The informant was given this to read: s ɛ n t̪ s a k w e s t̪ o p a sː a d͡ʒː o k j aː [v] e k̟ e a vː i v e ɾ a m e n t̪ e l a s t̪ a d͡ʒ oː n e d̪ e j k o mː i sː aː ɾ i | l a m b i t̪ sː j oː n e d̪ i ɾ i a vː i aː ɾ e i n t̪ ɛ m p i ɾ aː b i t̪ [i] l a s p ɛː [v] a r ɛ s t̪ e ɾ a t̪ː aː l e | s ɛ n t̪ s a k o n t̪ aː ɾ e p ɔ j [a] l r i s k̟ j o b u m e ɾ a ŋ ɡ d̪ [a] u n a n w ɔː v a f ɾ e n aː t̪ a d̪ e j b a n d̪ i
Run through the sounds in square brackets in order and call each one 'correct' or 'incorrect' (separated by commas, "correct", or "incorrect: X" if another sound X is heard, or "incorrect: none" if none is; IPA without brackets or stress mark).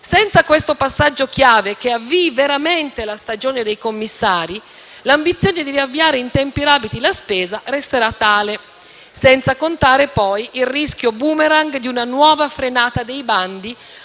correct, correct, incorrect: z, incorrect: i, incorrect: i